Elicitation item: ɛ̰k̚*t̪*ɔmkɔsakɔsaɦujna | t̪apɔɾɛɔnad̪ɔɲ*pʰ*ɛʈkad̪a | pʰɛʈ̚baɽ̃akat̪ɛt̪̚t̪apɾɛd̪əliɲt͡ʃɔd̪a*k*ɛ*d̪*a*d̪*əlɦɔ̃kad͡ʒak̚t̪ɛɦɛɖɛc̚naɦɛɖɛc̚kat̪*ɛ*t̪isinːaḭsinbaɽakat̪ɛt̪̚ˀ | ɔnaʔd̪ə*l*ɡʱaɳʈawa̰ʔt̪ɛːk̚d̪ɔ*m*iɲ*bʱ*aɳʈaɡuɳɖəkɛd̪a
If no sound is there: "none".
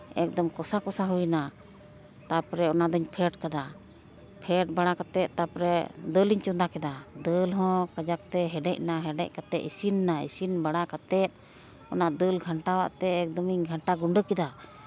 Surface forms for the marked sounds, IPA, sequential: d̪, pʰ, k, d̪, d̪, ɛ, l, m, ɡʱ

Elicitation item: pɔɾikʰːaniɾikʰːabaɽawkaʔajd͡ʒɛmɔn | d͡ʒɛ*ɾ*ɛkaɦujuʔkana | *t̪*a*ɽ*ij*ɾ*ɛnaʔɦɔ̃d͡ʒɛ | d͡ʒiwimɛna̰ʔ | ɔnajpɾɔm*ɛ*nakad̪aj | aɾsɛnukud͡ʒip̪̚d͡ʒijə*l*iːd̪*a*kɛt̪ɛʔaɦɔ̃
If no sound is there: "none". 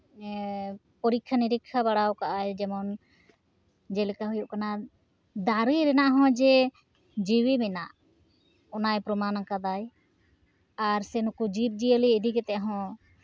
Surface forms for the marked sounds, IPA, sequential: l, d̪, ɾ, ɾ, a, l, i

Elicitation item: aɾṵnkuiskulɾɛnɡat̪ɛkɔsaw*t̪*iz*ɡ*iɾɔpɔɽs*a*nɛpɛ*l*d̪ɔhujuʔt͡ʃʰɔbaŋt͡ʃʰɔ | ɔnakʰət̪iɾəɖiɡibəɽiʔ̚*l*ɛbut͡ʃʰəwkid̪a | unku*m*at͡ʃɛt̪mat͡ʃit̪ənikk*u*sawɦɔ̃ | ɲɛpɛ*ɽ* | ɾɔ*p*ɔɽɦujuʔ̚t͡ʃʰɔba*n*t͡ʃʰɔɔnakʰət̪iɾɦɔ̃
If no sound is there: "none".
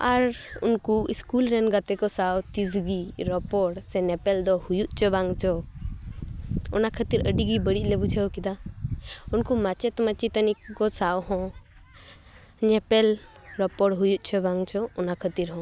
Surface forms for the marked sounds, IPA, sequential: t̪, ɡ, ɛ, l, l, m, ɔ, l, p, ŋ

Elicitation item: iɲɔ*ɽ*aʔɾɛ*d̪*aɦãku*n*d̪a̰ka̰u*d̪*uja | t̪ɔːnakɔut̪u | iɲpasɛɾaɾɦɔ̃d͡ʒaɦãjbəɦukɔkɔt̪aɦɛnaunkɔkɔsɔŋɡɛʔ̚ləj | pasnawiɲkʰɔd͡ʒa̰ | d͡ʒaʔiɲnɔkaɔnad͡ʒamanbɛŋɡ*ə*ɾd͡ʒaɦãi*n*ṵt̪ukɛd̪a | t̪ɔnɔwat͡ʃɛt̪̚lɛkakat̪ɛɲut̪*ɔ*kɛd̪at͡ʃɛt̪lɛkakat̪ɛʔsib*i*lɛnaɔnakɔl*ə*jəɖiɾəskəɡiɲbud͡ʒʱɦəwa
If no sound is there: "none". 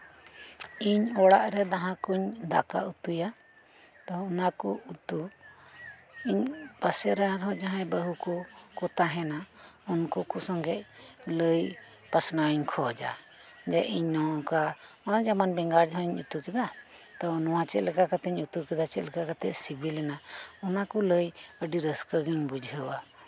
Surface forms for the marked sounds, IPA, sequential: ɽ, d̪, ɲ, t̪, a, ɲ, u, i, ə

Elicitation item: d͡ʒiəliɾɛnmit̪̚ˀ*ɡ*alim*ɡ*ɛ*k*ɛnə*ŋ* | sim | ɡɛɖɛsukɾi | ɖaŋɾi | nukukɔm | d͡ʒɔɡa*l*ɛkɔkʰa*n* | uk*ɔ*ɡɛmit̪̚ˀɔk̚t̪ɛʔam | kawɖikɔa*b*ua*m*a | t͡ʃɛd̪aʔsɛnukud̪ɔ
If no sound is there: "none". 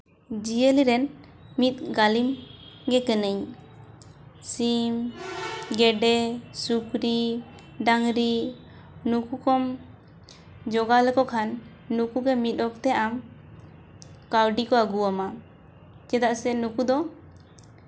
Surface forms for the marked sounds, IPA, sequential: ɡ, ɡ, k, ɲ, l, nː, u, ɡ, m

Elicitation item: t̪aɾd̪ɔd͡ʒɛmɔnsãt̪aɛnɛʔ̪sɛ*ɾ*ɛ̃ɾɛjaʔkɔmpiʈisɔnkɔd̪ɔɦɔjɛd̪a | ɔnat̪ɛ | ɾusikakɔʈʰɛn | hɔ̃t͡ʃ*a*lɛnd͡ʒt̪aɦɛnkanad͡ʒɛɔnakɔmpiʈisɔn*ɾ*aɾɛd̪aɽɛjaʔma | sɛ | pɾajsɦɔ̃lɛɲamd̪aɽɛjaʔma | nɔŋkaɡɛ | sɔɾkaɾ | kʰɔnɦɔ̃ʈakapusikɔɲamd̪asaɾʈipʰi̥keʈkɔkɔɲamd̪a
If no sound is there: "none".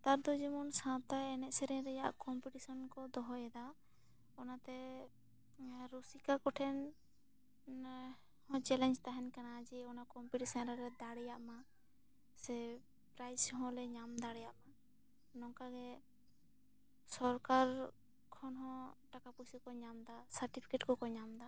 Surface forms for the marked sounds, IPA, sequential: ɾ, ɛ, ɾ

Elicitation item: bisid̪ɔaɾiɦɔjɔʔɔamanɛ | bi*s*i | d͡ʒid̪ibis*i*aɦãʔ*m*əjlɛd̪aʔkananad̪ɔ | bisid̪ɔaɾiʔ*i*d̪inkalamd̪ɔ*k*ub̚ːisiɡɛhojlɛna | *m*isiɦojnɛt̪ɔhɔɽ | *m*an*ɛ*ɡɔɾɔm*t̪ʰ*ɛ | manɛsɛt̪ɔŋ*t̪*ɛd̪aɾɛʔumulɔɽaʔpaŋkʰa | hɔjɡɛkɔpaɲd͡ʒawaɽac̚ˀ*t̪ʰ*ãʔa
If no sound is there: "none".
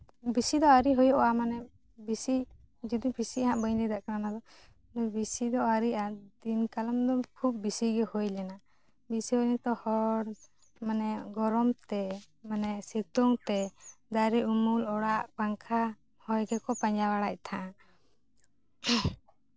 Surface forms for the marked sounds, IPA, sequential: s, i, b, a, kʰ, b, m, ɛ, t̪, t̪, t̪ʰ

